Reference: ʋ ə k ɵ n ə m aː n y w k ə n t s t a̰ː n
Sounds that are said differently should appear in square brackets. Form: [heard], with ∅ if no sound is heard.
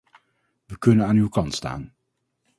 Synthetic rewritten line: ʋ ə k ɵ n ə [n] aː n y w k [ɑ] n t s t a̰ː n